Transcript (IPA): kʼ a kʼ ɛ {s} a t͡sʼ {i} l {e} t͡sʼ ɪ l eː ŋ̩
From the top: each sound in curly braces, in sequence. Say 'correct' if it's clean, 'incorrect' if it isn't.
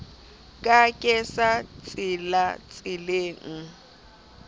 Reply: correct, incorrect: ɪ, incorrect: a

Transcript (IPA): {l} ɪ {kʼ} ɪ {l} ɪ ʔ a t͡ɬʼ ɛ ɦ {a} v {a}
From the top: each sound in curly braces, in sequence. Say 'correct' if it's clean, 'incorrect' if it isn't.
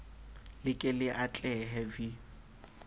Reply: correct, correct, correct, incorrect: ɛ, incorrect: i

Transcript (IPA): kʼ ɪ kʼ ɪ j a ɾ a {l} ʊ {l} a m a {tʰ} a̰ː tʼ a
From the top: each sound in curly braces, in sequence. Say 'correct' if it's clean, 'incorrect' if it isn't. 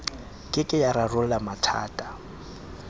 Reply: incorrect: r, correct, correct

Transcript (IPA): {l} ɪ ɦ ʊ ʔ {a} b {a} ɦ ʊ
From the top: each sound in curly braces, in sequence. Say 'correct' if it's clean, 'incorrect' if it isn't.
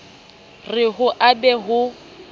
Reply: incorrect: r, correct, incorrect: ɛ

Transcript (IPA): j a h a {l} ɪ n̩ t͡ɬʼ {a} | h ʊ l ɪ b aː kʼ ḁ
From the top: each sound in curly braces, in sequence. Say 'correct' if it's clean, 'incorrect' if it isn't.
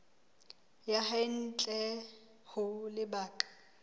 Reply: incorrect: none, incorrect: ɛ

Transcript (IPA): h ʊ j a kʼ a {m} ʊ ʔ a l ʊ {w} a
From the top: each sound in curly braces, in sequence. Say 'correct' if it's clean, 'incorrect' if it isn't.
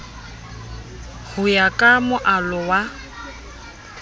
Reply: correct, correct

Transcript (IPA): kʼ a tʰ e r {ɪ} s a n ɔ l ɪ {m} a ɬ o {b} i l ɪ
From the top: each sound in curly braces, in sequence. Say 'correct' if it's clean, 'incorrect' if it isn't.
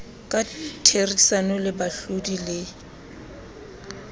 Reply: incorrect: i, incorrect: b, incorrect: d

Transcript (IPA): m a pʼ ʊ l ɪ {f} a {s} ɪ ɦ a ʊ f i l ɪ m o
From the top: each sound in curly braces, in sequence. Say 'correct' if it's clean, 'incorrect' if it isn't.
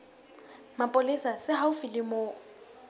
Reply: incorrect: s, correct

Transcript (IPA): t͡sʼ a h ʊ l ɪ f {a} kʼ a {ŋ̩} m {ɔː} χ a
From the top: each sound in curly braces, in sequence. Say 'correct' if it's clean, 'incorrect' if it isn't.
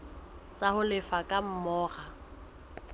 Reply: correct, incorrect: m̩, correct

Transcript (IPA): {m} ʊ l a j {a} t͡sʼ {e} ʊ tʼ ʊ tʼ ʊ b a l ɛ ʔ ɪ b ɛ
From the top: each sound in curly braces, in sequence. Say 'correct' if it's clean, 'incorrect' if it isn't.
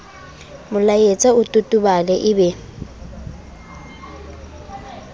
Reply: correct, incorrect: e, incorrect: a

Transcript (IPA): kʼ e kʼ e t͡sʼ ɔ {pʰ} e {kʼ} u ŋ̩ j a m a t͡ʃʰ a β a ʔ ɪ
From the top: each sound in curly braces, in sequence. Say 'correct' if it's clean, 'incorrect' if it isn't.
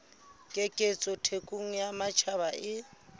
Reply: incorrect: tʰ, correct

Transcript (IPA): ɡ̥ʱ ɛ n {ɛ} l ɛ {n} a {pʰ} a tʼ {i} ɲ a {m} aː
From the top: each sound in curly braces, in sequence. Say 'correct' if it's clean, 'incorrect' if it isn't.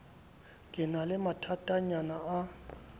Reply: incorrect: a, incorrect: m, incorrect: tʰ, incorrect: a, incorrect: n

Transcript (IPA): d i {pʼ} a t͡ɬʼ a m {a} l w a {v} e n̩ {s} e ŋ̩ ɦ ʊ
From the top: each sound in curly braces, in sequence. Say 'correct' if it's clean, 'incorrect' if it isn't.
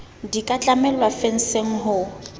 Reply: incorrect: kʼ, incorrect: ɛ, incorrect: f, correct

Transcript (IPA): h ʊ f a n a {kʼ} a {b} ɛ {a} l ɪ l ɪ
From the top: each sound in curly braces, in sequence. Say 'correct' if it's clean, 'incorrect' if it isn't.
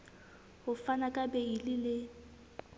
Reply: correct, correct, incorrect: i

